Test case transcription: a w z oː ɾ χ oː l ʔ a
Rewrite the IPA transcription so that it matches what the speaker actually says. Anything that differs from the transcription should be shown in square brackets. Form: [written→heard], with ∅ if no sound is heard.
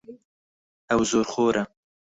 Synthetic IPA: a w z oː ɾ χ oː [l→ɾ] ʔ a